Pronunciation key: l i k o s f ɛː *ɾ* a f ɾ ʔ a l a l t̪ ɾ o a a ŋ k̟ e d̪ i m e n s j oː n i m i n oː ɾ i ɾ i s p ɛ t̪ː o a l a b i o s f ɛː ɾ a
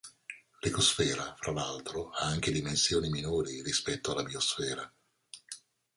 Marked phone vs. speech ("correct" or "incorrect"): correct